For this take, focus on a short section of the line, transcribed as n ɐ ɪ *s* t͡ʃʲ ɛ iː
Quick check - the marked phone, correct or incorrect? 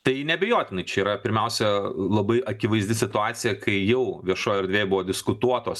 incorrect